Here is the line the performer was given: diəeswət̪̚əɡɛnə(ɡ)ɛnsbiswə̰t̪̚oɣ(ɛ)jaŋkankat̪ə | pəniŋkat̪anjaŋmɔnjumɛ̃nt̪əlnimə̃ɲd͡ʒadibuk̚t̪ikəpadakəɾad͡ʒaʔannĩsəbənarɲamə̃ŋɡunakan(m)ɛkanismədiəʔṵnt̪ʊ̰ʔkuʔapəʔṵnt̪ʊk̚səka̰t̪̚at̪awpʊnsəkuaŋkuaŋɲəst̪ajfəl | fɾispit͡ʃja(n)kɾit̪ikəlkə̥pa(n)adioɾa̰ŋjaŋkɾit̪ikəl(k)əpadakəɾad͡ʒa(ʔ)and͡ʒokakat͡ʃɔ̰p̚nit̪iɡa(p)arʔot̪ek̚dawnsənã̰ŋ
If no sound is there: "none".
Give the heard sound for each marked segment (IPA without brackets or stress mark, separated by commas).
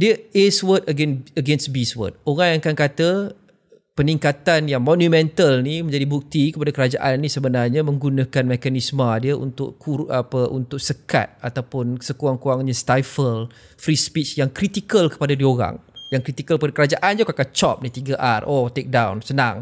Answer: ɡ, a, m, ŋ, d, k, ʔ, ʔ